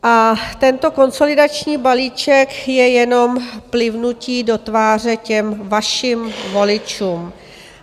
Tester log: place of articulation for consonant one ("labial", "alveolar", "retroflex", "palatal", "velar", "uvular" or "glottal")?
glottal